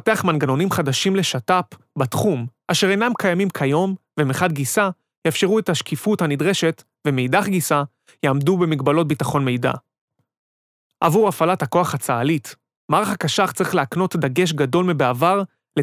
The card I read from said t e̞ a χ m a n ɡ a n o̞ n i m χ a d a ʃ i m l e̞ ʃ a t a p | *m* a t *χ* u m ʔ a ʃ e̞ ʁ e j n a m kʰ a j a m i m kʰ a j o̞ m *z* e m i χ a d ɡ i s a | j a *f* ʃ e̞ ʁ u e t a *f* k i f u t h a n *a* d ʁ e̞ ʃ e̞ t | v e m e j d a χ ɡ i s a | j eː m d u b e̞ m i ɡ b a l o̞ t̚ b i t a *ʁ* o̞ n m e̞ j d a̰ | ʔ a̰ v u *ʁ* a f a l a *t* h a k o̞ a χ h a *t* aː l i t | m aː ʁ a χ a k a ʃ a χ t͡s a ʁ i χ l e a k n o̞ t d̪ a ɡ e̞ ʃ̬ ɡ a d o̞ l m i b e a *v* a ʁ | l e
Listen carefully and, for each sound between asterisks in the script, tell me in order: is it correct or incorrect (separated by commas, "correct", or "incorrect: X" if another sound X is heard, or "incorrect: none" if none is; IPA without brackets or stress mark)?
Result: incorrect: b, correct, incorrect: v, correct, incorrect: ʃ, incorrect: i, incorrect: χ, correct, correct, incorrect: t͡s, correct